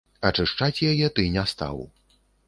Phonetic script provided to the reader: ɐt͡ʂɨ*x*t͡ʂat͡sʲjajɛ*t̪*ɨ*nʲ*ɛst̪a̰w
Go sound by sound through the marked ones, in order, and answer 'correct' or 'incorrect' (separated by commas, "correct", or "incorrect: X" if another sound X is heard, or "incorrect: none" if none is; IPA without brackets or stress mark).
incorrect: ʂ, correct, correct